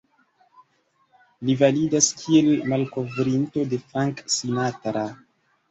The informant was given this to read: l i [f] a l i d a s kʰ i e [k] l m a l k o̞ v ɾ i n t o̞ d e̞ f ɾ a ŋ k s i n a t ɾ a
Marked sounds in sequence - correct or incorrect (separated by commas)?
incorrect, incorrect